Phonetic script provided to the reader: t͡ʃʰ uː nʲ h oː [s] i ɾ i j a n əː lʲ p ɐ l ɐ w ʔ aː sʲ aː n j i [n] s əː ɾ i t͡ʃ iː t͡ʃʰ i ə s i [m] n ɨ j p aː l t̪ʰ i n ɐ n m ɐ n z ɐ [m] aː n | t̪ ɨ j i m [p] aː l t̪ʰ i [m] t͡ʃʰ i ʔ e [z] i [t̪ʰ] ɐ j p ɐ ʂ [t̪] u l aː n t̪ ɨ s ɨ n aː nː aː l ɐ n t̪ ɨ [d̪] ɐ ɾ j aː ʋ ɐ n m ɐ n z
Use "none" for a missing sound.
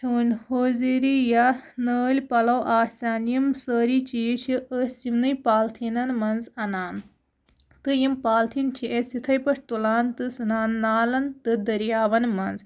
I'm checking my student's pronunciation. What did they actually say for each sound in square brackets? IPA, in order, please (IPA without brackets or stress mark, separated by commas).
z, m, m, n, p, n, s, t̪ʰ, t̪, d̪